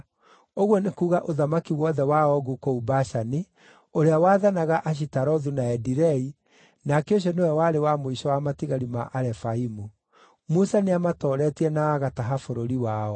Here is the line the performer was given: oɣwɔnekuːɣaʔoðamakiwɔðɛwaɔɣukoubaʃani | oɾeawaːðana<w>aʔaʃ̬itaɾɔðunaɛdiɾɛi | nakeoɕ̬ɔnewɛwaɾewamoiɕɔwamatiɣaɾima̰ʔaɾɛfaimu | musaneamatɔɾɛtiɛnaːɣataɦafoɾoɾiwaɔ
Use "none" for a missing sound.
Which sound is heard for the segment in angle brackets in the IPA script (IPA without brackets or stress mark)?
ɣ